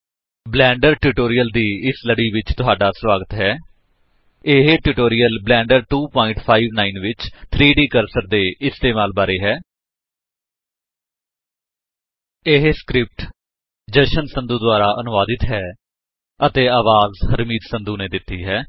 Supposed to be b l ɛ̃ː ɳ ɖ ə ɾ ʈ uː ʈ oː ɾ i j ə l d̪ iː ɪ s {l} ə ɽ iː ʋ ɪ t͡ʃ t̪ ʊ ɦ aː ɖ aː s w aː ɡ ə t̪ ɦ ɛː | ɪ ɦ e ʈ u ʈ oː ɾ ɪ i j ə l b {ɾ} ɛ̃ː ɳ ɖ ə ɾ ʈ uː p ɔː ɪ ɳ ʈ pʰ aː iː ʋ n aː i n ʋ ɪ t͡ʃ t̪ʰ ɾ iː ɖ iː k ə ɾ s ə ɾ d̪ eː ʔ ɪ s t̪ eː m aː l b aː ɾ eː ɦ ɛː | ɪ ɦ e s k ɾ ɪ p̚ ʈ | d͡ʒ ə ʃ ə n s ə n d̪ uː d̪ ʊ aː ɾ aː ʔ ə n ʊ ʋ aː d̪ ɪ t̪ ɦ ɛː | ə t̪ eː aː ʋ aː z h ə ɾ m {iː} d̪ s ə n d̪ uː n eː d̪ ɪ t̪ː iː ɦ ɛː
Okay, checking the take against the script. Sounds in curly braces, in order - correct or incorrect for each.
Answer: correct, incorrect: l, correct

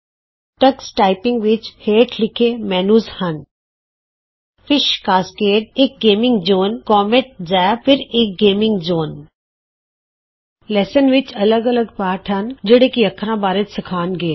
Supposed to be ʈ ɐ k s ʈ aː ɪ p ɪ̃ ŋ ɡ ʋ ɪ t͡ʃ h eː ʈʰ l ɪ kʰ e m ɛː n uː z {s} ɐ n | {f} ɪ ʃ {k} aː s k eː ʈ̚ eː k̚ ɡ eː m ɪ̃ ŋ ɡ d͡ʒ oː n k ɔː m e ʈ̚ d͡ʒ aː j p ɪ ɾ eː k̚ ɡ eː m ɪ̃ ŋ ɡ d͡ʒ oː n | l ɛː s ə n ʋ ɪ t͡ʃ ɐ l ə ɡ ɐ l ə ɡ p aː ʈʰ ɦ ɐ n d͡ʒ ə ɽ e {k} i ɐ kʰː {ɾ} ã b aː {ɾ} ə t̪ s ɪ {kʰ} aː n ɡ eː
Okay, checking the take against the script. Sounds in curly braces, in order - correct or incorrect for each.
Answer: incorrect: h, correct, correct, correct, correct, correct, correct

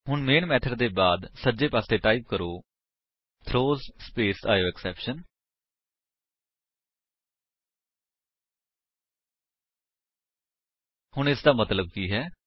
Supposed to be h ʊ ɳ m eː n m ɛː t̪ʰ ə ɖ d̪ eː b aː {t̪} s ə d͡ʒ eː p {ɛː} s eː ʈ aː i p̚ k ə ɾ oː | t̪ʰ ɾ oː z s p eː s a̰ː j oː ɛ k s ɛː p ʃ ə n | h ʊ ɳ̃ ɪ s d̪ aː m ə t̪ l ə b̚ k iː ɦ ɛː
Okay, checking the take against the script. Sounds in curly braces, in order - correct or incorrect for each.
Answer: incorrect: d̪, incorrect: aː

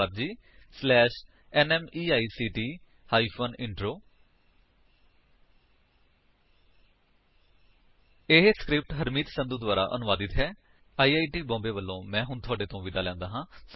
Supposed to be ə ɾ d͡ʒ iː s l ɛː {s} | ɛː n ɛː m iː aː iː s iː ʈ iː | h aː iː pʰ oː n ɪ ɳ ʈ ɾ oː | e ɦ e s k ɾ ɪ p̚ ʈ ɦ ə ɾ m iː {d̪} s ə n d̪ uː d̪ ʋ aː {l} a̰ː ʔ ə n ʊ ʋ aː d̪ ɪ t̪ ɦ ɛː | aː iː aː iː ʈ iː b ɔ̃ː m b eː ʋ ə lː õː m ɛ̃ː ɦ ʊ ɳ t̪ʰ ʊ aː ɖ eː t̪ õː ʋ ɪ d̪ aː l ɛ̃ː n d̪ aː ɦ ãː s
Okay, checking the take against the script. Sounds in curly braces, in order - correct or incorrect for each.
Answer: incorrect: ʃ, incorrect: t̪, incorrect: ɾ

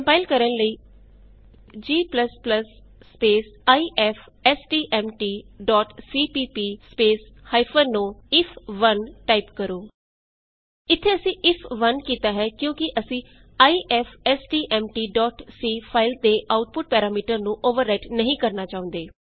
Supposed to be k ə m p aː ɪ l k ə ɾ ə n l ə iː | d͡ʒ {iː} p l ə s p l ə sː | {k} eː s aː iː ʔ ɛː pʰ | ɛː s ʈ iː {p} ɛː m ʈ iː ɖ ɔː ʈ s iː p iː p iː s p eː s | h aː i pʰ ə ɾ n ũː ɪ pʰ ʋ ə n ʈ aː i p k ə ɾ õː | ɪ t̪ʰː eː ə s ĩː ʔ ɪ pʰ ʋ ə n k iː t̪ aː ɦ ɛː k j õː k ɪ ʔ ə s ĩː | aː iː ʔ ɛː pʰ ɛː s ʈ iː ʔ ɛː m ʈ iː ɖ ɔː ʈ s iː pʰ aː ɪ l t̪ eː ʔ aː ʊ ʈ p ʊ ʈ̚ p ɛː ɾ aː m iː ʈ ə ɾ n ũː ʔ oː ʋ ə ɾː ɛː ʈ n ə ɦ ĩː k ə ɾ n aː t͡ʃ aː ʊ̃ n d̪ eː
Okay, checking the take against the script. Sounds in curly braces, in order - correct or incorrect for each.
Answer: correct, incorrect: p, incorrect: ʔ

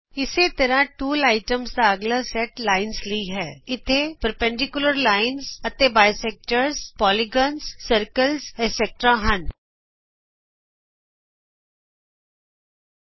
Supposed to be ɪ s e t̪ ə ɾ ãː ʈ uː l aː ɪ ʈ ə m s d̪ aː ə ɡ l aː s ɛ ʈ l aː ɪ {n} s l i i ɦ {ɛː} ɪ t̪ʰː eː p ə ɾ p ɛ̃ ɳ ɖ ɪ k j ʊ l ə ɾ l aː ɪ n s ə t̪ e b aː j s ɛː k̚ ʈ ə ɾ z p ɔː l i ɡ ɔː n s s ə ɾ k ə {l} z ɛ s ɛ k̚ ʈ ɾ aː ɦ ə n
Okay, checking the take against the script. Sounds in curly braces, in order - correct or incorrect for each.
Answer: correct, correct, correct

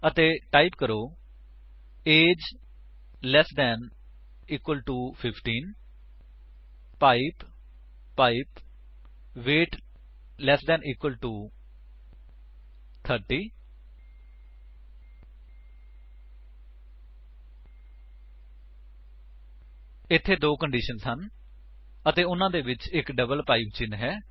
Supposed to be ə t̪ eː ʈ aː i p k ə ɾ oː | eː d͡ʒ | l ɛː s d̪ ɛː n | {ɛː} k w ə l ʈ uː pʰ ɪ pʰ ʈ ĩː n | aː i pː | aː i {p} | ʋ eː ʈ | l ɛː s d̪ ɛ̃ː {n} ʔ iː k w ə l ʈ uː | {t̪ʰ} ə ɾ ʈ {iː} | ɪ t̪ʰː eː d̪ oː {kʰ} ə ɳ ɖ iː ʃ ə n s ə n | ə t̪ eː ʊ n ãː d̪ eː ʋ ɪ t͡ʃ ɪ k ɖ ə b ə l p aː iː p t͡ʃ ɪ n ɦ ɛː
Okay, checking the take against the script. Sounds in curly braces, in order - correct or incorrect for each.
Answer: incorrect: iː, correct, correct, correct, correct, incorrect: k

